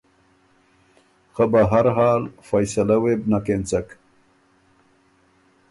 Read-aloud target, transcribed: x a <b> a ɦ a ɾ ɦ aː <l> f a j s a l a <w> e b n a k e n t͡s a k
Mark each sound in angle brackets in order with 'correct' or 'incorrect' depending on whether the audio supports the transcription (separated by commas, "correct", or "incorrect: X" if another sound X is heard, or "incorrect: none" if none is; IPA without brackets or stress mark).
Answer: correct, correct, correct